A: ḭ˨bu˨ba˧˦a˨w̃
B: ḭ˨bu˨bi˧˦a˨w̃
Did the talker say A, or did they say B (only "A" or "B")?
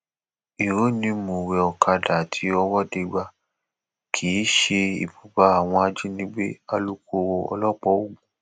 A